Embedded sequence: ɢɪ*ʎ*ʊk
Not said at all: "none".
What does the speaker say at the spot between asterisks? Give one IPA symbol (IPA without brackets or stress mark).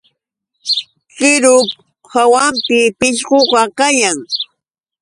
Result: ɾ